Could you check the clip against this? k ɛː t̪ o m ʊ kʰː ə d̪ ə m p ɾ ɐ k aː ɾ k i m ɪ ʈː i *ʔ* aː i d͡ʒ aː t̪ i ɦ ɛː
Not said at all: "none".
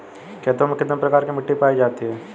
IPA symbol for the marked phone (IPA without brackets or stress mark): p